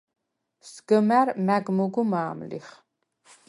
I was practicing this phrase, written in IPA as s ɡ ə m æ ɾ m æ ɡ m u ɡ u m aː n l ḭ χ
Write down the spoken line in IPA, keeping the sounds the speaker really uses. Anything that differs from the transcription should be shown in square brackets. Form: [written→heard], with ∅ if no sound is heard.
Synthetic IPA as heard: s ɡ ə m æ ɾ m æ ɡ m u ɡ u m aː [n→m] l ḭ χ